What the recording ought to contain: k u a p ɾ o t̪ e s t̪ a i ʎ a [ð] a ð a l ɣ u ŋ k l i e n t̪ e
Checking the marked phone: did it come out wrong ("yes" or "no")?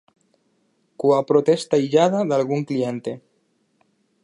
no